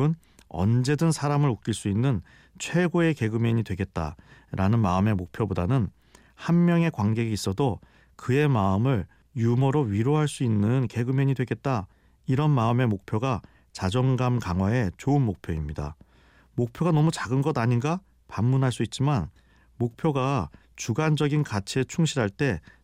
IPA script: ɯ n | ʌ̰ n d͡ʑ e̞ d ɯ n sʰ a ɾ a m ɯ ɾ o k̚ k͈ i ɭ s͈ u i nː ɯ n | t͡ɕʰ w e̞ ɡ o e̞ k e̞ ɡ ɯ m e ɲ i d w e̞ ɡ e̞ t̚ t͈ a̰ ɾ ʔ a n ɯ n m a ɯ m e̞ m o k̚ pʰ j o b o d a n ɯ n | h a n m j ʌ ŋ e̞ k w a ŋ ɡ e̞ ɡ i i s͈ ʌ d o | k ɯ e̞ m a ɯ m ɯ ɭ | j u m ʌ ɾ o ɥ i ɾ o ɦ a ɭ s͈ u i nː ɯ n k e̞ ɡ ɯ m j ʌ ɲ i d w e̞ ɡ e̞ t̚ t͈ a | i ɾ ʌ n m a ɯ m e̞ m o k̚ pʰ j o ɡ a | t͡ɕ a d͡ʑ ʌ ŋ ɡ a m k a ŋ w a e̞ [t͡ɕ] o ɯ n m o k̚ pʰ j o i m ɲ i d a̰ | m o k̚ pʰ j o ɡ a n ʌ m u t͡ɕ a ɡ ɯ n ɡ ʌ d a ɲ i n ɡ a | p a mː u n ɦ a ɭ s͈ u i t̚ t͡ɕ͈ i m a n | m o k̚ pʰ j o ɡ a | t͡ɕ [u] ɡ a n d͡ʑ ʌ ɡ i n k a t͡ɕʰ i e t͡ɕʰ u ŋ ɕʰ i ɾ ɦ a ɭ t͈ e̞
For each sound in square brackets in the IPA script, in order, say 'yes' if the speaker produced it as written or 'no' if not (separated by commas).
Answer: yes, yes